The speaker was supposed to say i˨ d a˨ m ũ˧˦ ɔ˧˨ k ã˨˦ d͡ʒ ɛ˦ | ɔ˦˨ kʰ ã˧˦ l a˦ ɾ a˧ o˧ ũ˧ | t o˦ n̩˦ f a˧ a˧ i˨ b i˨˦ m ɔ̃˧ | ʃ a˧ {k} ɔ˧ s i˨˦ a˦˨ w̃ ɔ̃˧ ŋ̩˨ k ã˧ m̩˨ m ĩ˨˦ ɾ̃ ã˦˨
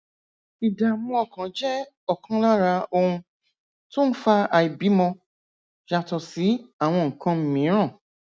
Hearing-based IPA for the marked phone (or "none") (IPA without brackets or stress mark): t